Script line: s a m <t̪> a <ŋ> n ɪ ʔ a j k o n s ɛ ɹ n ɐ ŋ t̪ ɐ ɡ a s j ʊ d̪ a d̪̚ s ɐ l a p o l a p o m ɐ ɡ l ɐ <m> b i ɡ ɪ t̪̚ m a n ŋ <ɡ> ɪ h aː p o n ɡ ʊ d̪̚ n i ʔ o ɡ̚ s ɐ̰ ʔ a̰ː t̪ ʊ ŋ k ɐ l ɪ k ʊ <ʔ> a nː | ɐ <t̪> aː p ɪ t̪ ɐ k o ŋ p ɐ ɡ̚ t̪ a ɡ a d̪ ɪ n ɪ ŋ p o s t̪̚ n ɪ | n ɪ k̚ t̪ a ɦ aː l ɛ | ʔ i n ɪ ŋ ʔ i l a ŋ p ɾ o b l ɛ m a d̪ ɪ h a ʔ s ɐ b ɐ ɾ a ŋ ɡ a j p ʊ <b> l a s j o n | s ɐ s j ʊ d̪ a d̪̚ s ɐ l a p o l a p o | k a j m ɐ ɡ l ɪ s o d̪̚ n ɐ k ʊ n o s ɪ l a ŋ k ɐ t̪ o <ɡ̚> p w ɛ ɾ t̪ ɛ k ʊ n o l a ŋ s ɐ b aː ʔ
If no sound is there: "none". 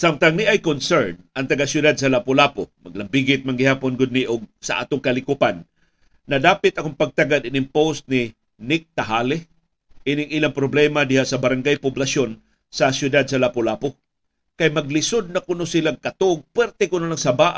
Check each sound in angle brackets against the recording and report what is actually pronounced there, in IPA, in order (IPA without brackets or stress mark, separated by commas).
t̪, ŋ, m, ɡ, p, d̪, b, ɡ̚